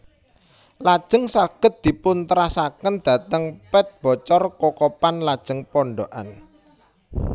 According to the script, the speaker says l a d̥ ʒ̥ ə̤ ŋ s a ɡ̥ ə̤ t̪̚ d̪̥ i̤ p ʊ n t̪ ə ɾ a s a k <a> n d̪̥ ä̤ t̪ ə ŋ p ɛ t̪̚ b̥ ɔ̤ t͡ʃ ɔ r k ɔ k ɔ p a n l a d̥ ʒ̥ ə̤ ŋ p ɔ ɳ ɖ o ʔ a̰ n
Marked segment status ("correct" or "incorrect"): incorrect